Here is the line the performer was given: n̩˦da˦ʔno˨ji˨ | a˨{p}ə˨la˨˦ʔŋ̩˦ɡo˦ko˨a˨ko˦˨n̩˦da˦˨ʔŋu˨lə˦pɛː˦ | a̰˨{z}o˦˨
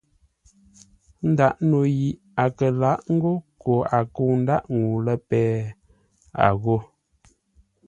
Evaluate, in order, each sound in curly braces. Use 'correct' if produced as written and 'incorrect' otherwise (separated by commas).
incorrect, incorrect